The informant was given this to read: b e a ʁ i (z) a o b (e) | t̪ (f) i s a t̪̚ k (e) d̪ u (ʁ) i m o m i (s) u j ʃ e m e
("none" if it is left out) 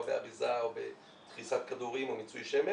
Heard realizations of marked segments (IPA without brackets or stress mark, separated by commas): z, e, χ, a, ʁ, t͡s